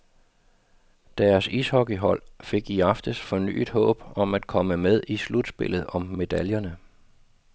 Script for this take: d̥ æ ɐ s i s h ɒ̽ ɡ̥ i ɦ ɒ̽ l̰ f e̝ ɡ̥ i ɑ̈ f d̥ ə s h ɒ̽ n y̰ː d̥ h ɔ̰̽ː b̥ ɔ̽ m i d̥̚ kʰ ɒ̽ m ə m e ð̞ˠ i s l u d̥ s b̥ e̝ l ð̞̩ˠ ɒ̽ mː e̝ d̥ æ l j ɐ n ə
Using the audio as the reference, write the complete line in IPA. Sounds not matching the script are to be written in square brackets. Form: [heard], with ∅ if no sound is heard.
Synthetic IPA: d̥ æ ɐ s i s h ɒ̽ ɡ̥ i ɦ ɒ̽ l̰ f e̝ ɡ̥ i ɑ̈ f d̥ ə s [f] ɒ̽ n y̰ː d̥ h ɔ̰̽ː b̥ [ɒ̽] m [æ] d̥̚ kʰ ɒ̽ m ə m e ð̞ˠ i s l u d̥ s b̥ e̝ l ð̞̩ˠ ɒ̽ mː e̝ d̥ æ l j ɐ n ə